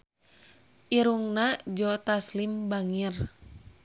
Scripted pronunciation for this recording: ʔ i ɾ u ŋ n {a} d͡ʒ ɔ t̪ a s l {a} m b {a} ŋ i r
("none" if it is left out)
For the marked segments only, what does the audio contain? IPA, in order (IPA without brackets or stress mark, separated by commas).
a, i, a